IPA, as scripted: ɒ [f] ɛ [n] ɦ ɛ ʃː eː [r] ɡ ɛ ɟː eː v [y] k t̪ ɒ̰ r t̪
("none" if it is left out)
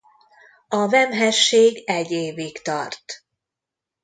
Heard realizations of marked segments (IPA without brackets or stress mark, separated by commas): v, m, none, i